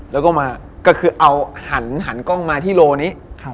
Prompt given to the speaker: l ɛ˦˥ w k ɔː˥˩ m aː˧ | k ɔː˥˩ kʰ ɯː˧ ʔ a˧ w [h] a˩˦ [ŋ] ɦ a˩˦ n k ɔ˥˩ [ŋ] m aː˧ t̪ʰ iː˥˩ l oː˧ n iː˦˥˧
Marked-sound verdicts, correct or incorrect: correct, incorrect: n, correct

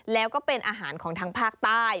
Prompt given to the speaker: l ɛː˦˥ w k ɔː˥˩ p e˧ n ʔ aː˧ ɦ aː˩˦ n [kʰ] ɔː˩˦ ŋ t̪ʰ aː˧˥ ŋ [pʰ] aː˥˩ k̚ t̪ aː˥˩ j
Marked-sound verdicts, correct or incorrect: correct, correct

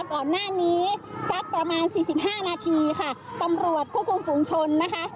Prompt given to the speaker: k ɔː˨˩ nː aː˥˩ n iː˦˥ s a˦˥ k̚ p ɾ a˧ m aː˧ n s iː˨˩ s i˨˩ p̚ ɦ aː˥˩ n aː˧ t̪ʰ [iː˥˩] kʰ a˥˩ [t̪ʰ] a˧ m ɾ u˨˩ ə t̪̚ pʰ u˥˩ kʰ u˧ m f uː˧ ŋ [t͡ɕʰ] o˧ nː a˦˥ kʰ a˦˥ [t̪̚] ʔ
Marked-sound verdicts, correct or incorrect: incorrect: iː˧, incorrect: t̪, correct, incorrect: none

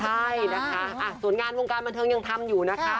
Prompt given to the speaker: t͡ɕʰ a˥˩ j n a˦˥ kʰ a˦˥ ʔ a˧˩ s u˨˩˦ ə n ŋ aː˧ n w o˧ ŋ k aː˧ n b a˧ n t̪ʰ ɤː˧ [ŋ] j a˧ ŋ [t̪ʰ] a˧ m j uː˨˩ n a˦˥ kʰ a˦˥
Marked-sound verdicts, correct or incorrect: correct, correct

